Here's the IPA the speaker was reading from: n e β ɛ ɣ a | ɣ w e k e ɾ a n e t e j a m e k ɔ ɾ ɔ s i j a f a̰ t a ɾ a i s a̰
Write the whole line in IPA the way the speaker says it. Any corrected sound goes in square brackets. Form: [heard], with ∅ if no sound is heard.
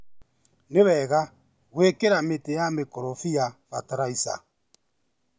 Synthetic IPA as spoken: n e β ɛ ɣ a | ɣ w e k e ɾ a [m] e t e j a m e k ɔ ɾ ɔ [f] i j a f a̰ t a ɾ a i s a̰